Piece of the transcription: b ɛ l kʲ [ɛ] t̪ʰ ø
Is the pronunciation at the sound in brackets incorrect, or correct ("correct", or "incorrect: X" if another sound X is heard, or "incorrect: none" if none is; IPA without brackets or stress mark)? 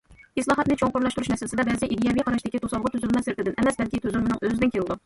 incorrect: i